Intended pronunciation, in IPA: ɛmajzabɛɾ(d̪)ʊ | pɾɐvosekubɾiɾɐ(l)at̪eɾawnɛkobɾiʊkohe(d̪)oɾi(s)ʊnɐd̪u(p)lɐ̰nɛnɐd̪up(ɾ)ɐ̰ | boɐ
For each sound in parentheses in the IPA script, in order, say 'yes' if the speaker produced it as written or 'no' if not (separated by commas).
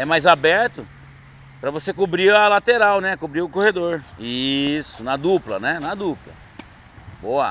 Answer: no, yes, yes, yes, yes, no